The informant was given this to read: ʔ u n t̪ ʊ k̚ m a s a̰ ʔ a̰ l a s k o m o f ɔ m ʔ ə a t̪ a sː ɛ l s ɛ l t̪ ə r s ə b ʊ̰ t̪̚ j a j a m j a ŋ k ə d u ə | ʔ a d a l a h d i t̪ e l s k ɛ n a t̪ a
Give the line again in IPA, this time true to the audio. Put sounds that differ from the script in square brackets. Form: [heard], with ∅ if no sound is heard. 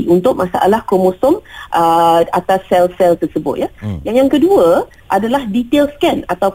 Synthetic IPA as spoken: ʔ u n t̪ ʊ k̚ m a s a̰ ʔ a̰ l a [h] k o m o [s] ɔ m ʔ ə a t̪ a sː ɛ l s ɛ l t̪ ə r s ə b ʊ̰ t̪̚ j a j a [ŋ] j a ŋ k ə d u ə | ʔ a d a l a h d i t̪ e l s k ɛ n a t̪ a